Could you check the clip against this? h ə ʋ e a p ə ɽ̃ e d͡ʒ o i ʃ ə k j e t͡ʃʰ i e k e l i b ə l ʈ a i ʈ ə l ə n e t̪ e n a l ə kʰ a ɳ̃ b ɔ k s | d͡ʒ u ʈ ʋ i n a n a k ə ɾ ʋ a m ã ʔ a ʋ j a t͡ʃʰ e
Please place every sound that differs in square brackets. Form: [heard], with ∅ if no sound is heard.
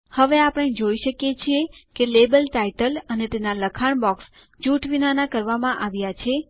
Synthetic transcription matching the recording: h ə ʋ e a p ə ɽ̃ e d͡ʒ o i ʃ ə k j e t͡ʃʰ i e k e l [e] b ə l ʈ a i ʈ ə l ə n e t̪ e n a l ə kʰ a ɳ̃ b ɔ k s | d͡ʒ u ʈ ʋ i n a n a k ə ɾ ʋ a m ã ʔ a ʋ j a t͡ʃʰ e